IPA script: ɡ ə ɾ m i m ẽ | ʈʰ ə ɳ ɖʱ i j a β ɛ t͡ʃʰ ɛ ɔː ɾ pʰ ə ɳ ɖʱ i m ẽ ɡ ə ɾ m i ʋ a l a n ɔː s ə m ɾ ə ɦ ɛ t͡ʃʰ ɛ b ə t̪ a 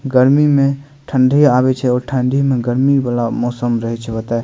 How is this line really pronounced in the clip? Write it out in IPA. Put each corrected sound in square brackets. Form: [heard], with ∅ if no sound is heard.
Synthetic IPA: ɡ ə ɾ m i m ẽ | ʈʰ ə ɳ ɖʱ i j a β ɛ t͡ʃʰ ɛ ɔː ɾ [ʈʰ] ə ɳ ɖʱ i m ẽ ɡ ə ɾ m i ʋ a l a [m] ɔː s ə m ɾ ə ɦ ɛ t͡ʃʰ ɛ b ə t̪ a